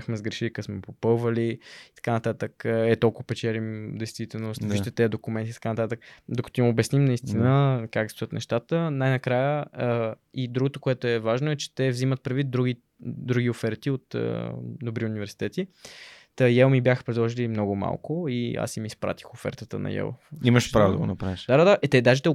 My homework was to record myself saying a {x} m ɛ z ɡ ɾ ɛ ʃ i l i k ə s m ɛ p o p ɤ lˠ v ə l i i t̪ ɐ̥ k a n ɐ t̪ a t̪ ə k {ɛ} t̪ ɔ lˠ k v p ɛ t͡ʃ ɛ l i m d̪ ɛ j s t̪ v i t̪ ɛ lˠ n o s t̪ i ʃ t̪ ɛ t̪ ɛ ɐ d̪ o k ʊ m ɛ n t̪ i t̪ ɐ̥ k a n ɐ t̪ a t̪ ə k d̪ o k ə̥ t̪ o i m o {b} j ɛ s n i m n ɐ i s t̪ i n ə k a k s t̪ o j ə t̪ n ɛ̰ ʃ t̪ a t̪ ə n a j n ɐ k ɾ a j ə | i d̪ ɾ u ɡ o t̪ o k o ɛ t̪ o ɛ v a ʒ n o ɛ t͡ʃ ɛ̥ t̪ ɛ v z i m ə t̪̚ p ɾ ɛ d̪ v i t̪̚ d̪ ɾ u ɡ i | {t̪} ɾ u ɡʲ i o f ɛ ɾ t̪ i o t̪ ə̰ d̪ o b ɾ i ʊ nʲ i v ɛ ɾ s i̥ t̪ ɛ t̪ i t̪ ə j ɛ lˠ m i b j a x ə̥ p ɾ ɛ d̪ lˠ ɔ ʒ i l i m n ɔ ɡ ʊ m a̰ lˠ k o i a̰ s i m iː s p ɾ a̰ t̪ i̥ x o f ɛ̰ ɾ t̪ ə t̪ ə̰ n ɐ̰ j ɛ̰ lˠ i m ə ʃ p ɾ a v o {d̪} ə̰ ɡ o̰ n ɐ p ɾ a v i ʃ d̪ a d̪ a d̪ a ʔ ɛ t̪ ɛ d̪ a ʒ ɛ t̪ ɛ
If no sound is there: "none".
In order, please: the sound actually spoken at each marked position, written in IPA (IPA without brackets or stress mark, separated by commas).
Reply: x, ɛ, b, d̪, d̪